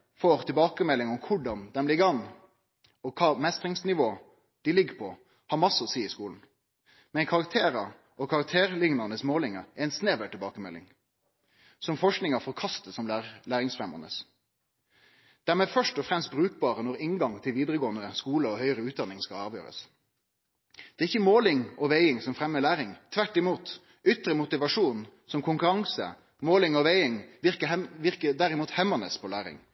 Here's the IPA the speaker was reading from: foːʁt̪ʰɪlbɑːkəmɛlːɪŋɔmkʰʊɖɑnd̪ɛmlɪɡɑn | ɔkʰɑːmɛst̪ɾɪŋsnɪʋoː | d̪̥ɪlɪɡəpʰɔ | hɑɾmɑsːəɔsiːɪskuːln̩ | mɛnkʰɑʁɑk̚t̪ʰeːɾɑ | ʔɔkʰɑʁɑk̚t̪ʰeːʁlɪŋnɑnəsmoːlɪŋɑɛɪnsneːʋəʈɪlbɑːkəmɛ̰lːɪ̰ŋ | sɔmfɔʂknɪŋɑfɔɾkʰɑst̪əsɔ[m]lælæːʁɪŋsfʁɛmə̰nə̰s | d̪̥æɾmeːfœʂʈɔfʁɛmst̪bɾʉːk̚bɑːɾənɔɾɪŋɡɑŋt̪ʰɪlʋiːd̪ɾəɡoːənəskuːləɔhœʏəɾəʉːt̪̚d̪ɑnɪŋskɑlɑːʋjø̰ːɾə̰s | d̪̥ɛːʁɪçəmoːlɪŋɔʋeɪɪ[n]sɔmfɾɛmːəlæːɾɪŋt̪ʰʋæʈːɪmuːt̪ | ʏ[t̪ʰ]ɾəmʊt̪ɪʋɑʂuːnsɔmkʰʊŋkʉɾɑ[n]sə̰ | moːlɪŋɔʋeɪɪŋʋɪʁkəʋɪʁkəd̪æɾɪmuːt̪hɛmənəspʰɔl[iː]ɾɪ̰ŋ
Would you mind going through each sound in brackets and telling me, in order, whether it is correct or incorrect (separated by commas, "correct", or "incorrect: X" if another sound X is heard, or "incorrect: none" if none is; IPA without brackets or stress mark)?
correct, incorrect: ŋ, incorrect: t̪, incorrect: ŋ, incorrect: æː